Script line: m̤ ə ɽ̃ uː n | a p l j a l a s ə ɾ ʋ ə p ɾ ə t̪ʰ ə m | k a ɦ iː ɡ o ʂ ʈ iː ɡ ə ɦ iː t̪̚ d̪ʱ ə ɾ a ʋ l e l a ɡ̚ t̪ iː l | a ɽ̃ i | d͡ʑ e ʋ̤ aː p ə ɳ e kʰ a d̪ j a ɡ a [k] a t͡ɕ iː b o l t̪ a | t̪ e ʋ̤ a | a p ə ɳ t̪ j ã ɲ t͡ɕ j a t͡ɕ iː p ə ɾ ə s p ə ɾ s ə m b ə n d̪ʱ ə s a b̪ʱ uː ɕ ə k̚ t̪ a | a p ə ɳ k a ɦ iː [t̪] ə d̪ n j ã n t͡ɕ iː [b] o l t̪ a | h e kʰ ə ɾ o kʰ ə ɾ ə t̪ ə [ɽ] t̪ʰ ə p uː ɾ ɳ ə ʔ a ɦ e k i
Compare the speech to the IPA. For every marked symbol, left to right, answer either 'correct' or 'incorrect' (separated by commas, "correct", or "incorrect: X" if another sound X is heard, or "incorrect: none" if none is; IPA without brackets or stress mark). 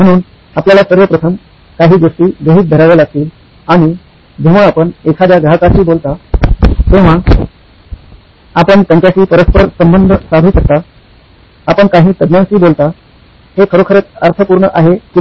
correct, correct, correct, incorrect: ɾ